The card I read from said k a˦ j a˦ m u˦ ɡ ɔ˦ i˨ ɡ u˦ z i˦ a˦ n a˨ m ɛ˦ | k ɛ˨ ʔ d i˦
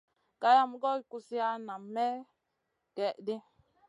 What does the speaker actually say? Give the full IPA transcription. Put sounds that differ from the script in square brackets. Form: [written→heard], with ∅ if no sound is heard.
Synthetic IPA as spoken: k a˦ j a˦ m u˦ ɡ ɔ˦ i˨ [ɡ→k] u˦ [z→s] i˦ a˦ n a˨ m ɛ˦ | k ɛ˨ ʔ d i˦